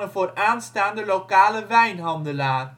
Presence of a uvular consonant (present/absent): absent